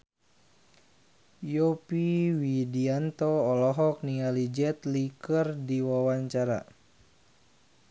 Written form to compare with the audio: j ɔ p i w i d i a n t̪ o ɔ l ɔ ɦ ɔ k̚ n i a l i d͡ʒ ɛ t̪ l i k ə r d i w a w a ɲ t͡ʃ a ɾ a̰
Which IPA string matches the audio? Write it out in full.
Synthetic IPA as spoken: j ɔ p i w i d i a n t̪ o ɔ l ɔ ɦ ɔ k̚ n i a l i d͡ʒ ɛ t̪ l i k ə r d i w a w a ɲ t͡ʃ a ɾ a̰

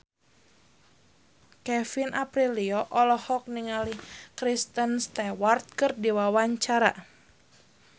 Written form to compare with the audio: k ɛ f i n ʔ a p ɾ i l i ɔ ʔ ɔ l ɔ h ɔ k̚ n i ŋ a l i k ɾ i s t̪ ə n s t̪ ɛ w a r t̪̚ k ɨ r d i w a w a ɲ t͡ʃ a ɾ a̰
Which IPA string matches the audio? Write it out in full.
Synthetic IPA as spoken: k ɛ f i n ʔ a p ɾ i l i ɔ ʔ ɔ l ɔ h ɔ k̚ n i ŋ a l i k ɾ i s t̪ ə n s t̪ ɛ w a r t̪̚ k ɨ r d i w a w a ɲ t͡ʃ a ɾ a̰

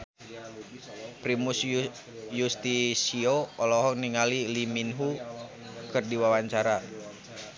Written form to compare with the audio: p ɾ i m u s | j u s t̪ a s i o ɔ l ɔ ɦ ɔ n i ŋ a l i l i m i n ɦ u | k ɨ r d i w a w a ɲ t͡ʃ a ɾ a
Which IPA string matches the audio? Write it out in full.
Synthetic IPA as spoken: p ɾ i m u s | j u s t̪ i s i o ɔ l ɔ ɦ ɔ n i ŋ a l i l i m i n ɦ u | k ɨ r d i w a w a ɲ t͡ʃ a ɾ a

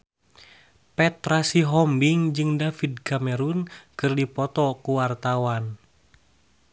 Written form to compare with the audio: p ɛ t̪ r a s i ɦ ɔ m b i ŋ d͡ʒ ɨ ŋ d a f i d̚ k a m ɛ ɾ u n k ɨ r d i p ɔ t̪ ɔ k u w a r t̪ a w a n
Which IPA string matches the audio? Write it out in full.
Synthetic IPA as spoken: p ɛ t̪ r a s i ɦ ɔ m b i ŋ d͡ʒ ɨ ŋ d a f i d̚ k a m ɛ ɾ u n k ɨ r d i p ɔ t̪ ɔ k u w a r t̪ a w a n

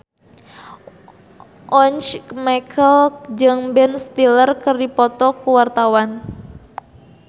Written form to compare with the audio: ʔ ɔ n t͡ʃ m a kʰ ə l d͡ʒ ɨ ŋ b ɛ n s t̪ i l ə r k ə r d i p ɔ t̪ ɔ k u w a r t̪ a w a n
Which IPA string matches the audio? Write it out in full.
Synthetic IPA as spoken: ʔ ɔ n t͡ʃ m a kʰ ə l d͡ʒ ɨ ŋ b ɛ n s t̪ i l ə r k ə r d i p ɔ t̪ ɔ k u w a r t̪ a w a n

